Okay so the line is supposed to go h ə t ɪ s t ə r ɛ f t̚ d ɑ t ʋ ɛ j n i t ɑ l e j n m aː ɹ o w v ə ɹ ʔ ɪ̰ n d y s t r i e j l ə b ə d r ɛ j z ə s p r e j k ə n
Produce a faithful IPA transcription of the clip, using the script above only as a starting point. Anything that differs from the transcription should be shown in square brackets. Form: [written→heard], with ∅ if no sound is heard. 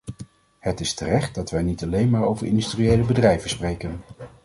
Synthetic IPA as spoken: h ə t ɪ s t ə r ɛ [f→χ] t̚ d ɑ t ʋ ɛ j n i t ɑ l e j n m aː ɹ o w v ə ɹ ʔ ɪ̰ n d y s t r i e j l ə b ə d r ɛ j [z→v] ə s p r e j k ə n